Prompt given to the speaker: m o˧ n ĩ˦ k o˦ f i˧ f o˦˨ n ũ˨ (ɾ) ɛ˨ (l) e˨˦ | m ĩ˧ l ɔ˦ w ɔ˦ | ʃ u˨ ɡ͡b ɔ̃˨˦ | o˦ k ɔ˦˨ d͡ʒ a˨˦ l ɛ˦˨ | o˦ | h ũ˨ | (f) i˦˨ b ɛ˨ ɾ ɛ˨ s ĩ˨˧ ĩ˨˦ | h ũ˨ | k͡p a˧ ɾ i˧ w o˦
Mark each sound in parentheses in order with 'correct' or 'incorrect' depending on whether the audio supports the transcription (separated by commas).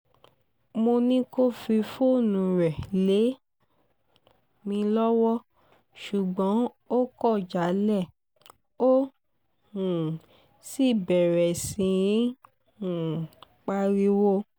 correct, correct, incorrect